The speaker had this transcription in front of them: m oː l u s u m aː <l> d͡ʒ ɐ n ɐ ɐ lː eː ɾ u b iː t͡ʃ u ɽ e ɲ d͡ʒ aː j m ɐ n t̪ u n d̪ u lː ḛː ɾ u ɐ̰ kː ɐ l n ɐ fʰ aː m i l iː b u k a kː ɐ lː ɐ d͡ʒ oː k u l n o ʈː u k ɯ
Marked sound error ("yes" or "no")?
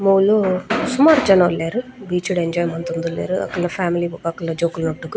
yes